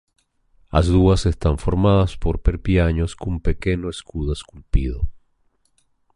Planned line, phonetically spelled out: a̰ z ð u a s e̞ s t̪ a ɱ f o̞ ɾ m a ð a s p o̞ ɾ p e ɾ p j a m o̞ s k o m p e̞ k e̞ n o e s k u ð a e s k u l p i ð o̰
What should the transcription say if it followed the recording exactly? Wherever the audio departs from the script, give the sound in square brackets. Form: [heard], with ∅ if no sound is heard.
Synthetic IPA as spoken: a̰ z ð u a s e̞ s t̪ a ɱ f o̞ ɾ m a ð a s p o̞ ɾ p e ɾ p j a [ɲ] o̞ s k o m p e̞ k e̞ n o e s k u ð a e s k u l p i ð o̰